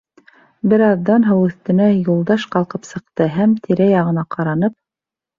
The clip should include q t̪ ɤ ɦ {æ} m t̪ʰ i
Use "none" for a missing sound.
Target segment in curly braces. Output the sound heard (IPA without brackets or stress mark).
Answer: æ